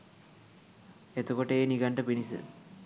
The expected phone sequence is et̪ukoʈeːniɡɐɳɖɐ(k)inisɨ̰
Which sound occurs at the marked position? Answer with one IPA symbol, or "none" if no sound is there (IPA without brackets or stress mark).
p